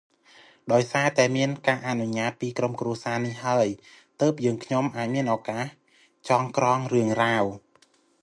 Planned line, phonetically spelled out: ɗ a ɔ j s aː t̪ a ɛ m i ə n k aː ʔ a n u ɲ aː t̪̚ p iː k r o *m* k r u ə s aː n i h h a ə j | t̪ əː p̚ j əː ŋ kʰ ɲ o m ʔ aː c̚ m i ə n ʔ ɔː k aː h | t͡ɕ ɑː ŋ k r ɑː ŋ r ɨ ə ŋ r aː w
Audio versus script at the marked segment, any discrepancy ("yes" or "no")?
no